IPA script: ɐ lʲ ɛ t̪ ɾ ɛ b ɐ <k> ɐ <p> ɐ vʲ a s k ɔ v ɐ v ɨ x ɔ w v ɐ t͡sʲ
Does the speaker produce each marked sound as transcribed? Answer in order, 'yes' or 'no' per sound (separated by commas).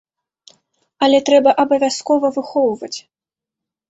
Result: no, no